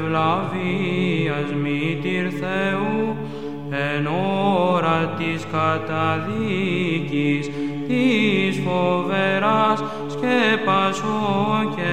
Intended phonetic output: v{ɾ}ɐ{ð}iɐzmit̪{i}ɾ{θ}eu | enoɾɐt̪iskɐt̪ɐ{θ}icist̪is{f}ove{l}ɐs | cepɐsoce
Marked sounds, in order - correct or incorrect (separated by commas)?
incorrect, incorrect, correct, correct, incorrect, correct, incorrect